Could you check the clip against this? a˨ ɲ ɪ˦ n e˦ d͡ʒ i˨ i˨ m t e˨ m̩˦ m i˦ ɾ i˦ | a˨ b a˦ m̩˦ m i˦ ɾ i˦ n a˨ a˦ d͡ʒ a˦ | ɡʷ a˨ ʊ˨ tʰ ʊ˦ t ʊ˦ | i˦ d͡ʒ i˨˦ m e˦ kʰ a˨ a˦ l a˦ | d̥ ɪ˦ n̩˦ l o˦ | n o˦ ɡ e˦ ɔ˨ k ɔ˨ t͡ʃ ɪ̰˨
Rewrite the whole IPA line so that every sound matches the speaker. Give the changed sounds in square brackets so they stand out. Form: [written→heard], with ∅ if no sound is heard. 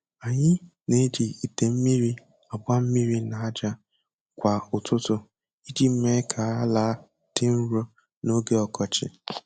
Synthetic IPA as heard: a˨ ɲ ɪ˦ n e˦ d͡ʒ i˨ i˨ [m→∅] t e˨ m̩˦ m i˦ ɾ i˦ | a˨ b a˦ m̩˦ m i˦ ɾ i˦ n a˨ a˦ d͡ʒ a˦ | [ɡʷ→kʷ] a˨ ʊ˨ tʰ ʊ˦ t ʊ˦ | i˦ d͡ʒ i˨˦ m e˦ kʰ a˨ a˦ l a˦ | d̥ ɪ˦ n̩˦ [l→ɾ] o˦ | n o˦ ɡ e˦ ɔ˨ k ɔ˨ t͡ʃ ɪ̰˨